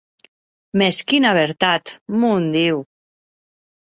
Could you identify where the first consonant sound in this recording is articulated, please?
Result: labial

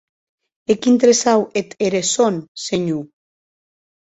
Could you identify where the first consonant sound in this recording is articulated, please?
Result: velar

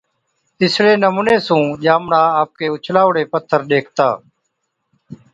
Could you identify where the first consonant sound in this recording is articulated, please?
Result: alveolar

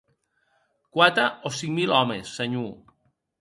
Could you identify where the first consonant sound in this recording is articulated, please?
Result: velar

